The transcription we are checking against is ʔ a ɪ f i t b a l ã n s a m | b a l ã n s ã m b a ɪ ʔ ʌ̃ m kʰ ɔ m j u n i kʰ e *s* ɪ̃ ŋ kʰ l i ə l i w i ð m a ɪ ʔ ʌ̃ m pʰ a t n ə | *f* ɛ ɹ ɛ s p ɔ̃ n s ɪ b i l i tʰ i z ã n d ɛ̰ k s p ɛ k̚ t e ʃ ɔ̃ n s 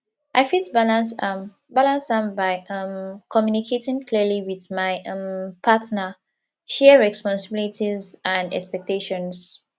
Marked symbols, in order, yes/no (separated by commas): no, no